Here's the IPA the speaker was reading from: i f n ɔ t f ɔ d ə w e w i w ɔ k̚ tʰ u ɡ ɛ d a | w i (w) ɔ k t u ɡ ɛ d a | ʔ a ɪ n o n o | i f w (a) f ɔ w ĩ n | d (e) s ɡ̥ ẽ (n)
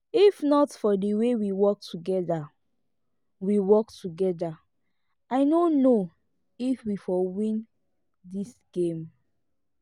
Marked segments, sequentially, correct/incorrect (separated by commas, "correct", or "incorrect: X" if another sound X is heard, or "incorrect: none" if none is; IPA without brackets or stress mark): correct, incorrect: i, incorrect: i, incorrect: m